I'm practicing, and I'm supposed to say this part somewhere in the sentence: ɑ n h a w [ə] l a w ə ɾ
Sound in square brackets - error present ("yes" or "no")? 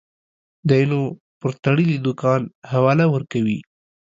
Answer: yes